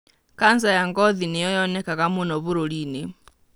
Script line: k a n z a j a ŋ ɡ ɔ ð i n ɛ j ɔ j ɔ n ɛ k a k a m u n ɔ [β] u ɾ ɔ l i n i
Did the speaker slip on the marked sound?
no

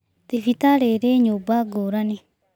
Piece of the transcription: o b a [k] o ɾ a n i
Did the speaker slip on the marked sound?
yes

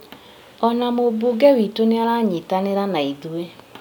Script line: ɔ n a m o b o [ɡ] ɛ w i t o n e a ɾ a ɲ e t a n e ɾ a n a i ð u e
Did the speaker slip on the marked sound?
no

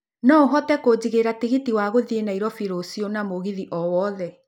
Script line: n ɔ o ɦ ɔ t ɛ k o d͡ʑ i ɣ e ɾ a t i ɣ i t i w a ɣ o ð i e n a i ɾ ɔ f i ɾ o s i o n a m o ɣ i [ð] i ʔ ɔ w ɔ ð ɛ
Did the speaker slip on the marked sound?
no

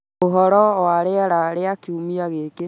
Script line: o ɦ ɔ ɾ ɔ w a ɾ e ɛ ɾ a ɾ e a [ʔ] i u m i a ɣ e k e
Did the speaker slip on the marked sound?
yes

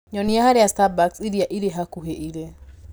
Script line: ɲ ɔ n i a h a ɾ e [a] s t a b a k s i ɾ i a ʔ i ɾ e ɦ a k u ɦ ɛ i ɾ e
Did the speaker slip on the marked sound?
no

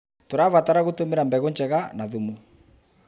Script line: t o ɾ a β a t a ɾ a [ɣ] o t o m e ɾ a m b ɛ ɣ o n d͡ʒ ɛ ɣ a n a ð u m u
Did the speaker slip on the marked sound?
no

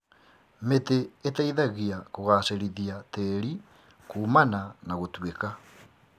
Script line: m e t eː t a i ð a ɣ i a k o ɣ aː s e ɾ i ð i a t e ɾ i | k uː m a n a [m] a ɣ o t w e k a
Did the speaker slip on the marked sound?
yes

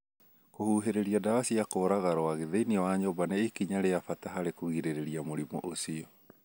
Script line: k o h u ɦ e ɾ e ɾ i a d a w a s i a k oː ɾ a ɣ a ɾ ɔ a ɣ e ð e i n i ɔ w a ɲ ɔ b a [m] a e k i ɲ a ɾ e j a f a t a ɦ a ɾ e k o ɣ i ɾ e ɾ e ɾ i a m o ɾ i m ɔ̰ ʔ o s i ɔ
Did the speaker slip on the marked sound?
yes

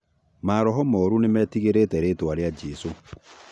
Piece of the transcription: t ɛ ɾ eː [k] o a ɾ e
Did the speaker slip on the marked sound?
yes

